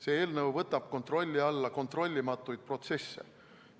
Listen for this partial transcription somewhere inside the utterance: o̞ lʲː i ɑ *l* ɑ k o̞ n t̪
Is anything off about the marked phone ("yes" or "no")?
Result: yes